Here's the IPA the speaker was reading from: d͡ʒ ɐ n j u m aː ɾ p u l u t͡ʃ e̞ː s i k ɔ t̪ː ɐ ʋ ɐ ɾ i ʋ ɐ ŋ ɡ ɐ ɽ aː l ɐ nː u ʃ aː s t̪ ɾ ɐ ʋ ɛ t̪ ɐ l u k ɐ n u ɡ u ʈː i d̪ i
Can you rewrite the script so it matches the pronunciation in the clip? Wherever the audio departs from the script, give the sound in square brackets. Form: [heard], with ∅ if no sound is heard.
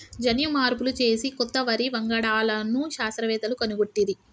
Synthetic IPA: d͡ʒ ɐ n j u m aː ɾ p u l u t͡ʃ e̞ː s i k ɔ t̪ː ɐ ʋ ɐ ɾ i ʋ ɐ ŋ ɡ ɐ ɽ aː l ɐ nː u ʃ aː s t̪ ɾ ɐ ʋ [ɛː] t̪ ɐ l u k ɐ n u ɡ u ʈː i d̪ i